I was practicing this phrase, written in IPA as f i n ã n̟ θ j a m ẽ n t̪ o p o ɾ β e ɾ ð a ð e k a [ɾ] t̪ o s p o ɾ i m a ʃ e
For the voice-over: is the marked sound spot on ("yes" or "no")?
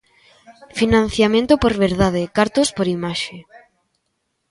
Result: yes